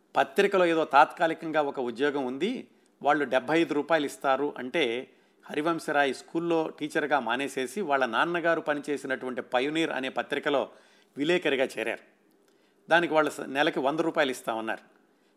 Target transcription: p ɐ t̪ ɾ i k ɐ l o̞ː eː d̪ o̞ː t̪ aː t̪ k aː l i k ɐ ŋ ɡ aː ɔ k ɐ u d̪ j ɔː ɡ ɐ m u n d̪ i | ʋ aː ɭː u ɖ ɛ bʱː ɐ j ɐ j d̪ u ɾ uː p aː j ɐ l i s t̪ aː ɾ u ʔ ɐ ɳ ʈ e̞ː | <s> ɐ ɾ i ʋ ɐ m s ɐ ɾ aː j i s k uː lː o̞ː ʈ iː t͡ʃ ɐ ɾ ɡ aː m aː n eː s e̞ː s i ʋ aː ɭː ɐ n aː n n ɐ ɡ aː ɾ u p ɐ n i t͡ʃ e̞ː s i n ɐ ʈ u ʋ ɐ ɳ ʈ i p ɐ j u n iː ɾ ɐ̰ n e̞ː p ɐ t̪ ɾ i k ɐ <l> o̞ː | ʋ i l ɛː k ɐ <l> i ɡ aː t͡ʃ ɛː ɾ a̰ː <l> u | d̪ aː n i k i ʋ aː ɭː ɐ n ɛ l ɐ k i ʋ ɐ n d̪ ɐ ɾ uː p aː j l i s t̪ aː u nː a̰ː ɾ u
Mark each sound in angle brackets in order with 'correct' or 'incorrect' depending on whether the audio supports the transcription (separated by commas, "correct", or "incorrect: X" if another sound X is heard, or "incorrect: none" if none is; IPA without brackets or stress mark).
incorrect: h, correct, incorrect: ɾ, incorrect: ɾ